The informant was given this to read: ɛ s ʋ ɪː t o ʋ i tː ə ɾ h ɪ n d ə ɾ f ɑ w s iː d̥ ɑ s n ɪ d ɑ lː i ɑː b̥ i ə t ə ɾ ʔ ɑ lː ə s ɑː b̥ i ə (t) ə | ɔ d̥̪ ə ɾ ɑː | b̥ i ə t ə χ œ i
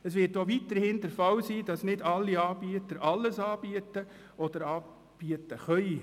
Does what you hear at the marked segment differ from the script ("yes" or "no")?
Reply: no